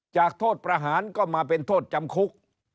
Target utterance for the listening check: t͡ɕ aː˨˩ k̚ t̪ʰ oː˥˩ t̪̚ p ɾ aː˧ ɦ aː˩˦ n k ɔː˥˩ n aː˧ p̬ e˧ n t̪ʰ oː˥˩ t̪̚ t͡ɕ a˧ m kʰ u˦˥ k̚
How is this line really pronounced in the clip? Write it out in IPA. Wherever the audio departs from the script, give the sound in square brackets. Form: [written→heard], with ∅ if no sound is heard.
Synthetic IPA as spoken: t͡ɕ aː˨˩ k̚ t̪ʰ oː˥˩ t̪̚ p ɾ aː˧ ɦ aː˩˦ n k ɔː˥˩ [n→m] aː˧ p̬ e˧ n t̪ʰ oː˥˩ t̪̚ t͡ɕ a˧ m kʰ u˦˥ k̚